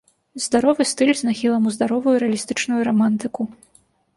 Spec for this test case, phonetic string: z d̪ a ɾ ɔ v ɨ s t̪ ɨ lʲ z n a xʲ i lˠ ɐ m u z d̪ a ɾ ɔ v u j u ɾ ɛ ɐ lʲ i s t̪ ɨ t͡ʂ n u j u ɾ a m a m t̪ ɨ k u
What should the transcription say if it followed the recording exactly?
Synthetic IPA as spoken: z d̪ a ɾ ɔ v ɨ s t̪ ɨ lʲ z n a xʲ i lˠ ɐ m u z d̪ a ɾ ɔ v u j u ɾ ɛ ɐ lʲ i s t̪ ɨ t͡ʂ n u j u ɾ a m a n t̪ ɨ k u